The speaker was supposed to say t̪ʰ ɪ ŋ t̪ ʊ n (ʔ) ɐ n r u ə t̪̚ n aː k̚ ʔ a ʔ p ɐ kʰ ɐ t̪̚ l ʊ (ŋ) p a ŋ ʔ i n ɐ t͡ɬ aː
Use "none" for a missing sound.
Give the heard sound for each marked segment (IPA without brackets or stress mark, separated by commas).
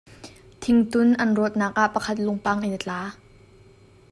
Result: ʔ, ŋ